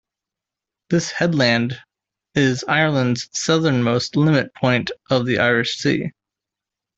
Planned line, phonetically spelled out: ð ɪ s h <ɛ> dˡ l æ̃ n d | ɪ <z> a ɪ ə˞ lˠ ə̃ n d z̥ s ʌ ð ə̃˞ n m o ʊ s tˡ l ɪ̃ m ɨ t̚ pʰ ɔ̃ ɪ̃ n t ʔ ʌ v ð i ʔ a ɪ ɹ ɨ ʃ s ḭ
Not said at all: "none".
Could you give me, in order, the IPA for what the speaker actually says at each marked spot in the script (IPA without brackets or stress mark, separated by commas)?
ɛ, z